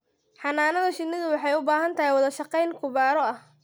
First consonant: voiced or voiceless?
voiceless